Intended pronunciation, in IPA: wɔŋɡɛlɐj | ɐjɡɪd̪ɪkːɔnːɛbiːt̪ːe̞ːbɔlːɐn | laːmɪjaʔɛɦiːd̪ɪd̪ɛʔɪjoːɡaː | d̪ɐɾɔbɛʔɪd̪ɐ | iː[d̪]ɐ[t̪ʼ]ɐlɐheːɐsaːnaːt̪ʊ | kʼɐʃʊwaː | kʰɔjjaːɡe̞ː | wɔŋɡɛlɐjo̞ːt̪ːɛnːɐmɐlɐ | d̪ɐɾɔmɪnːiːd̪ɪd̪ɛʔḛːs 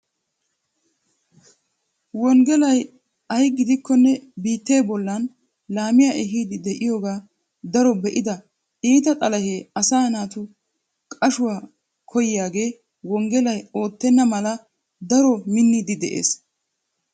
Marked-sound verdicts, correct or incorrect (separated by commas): incorrect, correct